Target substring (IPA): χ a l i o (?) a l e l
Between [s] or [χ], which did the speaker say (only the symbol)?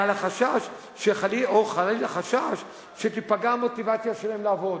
χ